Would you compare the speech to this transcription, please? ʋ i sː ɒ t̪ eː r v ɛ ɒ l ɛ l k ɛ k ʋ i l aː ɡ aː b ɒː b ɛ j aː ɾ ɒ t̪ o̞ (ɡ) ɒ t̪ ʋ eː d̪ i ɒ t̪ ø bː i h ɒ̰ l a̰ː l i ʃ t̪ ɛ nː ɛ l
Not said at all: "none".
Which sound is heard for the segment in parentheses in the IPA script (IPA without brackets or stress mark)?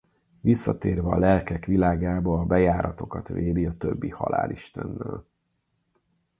k